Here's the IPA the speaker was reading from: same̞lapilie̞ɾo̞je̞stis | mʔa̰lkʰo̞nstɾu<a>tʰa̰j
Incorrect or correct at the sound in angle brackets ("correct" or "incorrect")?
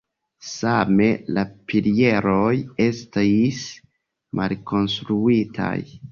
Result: incorrect